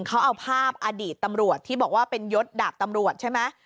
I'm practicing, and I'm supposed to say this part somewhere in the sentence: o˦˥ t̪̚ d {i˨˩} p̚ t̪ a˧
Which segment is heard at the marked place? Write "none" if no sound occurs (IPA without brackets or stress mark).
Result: a˨˩